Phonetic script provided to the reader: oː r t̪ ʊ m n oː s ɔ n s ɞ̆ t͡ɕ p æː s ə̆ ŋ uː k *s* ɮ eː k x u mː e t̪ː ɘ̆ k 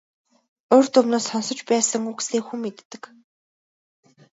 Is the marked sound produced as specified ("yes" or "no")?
yes